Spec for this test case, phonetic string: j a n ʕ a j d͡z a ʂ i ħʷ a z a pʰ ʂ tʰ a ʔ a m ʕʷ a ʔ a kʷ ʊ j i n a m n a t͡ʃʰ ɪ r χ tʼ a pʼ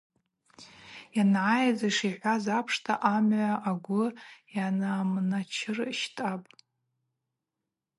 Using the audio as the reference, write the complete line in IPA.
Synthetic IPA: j a n ʕ a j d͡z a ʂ i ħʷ a z a pʰ ʂ tʰ a ʔ a m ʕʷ a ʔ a ɡʷ ʊ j a n a m n a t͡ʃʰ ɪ r ʃ tʼ a pʼ